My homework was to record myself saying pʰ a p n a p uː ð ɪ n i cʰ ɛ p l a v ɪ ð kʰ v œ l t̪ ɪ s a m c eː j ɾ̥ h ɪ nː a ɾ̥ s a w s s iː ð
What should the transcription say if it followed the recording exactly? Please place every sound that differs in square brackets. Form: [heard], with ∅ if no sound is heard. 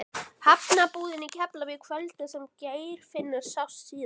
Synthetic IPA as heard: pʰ a p n a p uː ð ɪ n i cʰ ɛ p l a v ɪ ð kʰ v œ l t̪ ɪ s [ɛ] m c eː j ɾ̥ [f] ɪ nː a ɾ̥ s a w s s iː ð